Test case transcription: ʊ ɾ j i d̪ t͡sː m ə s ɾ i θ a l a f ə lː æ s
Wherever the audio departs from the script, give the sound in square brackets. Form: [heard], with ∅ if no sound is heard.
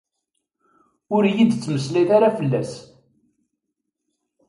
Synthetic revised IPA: ʊ ɾ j i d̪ t͡sː m ə s [l] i θ a [ɾ] a f ə lː æ s